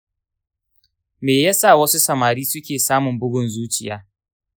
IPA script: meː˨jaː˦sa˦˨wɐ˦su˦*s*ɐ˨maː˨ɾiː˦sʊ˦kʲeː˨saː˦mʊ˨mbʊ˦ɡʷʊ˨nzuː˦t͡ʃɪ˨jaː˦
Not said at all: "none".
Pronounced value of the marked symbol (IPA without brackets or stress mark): s